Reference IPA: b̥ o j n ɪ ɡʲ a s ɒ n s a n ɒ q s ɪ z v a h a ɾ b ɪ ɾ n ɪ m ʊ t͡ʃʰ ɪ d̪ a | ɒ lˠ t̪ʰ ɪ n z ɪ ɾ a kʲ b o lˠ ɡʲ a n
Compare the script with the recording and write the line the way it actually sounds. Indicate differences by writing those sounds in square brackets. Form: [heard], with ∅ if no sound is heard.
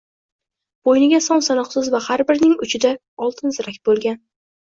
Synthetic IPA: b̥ o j n ɪ ɡʲ a s ɒ n s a n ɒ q s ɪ z v a h a ɾ b ɪ ɾ n ɪ [ŋ] ʊ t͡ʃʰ ɪ d̪ a | ɒ lˠ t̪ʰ ɪ n z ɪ ɾ a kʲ b o lˠ ɡʲ a n